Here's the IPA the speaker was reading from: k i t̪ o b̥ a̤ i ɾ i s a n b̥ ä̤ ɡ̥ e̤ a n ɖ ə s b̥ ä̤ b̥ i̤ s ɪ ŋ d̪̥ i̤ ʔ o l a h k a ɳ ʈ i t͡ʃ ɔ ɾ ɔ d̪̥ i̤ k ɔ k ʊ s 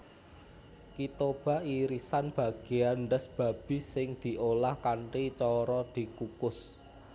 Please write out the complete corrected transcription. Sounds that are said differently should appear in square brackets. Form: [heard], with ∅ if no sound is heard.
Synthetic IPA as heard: k i t̪ o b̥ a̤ i ɾ i s a n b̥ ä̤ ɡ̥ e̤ a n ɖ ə s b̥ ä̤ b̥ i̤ s ɪ ŋ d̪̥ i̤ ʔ o l a h k a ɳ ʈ i t͡ʃ ɔ ɾ ɔ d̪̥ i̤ k [u] k ʊ s